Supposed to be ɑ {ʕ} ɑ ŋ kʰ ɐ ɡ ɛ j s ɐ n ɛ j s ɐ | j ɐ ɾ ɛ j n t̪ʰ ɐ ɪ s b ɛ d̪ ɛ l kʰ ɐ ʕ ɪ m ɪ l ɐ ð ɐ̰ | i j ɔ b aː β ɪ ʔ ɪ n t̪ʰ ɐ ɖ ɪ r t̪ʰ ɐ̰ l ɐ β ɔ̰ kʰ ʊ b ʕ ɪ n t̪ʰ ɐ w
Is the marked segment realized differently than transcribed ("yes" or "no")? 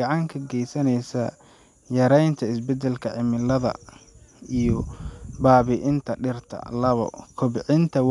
no